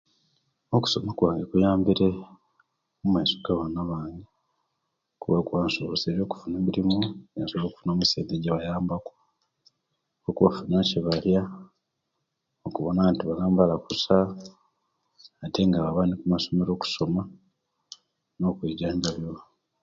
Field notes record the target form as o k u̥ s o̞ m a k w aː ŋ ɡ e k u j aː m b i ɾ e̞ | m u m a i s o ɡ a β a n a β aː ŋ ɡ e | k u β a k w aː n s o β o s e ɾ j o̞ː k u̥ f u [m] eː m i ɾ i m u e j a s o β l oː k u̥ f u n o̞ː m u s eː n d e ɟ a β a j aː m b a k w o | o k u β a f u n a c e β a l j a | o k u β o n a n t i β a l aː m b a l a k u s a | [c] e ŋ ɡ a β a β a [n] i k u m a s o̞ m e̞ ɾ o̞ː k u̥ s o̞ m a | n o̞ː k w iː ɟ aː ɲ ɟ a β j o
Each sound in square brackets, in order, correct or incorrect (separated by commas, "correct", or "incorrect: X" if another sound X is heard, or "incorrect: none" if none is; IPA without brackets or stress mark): incorrect: n, incorrect: t, correct